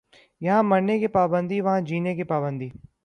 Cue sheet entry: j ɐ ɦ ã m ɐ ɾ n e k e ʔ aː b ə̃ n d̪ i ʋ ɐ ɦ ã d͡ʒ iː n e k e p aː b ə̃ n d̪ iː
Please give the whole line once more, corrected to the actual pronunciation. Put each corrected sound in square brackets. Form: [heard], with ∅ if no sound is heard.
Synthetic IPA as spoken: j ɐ ɦ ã m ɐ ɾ n e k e [p] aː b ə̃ n d̪ i ʋ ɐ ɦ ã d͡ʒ iː n e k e p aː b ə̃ n d̪ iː